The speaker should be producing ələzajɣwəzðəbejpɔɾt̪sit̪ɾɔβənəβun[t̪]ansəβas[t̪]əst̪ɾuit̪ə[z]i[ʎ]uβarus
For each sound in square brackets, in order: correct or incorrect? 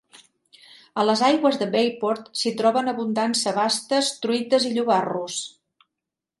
incorrect: d̪, correct, correct, correct

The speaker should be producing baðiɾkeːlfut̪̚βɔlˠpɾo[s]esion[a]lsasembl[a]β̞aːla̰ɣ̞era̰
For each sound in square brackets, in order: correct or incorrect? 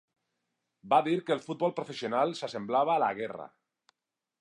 incorrect: f, correct, correct

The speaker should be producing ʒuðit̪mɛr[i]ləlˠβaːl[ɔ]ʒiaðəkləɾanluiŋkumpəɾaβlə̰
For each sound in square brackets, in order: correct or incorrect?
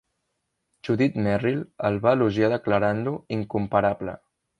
correct, incorrect: u

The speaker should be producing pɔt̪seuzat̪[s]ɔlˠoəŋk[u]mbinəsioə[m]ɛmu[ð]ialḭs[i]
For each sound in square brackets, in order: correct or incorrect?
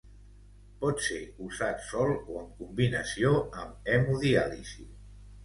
correct, correct, correct, correct, correct

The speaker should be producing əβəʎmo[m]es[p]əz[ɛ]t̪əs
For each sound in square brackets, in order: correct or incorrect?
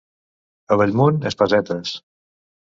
incorrect: n, correct, correct

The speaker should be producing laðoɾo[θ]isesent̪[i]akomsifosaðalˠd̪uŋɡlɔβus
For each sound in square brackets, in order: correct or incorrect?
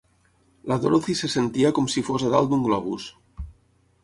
correct, correct

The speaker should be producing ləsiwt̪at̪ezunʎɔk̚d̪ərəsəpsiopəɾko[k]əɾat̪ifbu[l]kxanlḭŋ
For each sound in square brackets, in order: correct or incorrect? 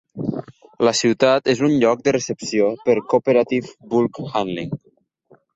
incorrect: p, correct

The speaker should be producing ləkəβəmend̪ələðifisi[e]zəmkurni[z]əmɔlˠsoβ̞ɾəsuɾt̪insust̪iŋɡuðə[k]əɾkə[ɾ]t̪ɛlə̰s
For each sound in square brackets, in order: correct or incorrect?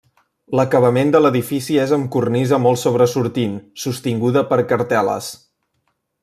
correct, correct, incorrect: p, correct

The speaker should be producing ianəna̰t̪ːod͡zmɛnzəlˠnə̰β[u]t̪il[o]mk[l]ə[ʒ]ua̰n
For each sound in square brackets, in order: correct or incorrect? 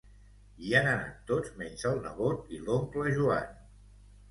incorrect: o, correct, correct, correct

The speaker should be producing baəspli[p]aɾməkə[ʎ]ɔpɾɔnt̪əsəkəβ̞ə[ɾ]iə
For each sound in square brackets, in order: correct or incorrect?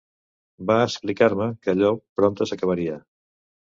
incorrect: k, correct, correct

